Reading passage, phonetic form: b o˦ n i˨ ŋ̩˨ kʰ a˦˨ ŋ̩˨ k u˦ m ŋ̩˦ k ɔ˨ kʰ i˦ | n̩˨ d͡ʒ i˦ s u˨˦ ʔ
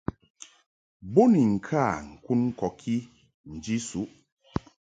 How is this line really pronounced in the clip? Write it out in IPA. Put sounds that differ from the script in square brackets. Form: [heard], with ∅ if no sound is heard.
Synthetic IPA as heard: b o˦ n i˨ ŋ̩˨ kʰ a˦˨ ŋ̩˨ k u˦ [n] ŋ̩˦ k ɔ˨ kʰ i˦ | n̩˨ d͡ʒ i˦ s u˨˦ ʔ